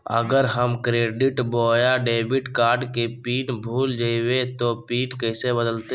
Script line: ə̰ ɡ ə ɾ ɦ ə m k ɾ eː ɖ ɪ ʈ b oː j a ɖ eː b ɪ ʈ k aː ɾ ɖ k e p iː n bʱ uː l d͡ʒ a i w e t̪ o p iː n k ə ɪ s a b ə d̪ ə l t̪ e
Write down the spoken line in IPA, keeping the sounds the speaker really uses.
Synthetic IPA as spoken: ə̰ ɡ ə ɾ ɦ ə m k ɾ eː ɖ ɪ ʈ b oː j a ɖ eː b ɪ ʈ k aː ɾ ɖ k e p iː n bʱ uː l d͡ʒ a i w e t̪ o p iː n k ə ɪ s e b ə d̪ ə l t̪ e